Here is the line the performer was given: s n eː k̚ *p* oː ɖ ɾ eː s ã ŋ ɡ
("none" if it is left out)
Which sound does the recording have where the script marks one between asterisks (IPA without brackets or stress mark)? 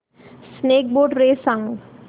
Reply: b